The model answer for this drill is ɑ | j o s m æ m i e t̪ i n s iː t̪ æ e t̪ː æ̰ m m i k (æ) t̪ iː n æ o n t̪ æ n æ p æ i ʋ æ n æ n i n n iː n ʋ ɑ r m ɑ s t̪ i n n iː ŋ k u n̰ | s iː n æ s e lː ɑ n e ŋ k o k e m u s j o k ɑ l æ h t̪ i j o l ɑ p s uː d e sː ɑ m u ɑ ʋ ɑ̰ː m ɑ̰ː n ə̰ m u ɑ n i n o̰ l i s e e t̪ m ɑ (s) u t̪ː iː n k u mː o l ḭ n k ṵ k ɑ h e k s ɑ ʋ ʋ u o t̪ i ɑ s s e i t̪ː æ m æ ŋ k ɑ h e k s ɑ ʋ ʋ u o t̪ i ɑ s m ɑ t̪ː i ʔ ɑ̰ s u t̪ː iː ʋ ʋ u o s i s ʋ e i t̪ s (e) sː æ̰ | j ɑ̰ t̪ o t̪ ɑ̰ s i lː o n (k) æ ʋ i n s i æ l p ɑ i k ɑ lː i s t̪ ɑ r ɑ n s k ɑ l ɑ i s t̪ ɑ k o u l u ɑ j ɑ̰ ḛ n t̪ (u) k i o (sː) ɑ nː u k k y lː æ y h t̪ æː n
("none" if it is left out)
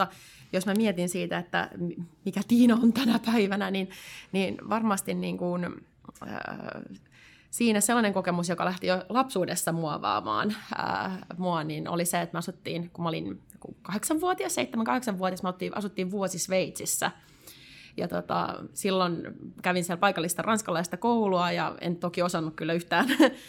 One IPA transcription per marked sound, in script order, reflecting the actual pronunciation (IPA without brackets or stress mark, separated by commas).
æ, s, i, k, o, s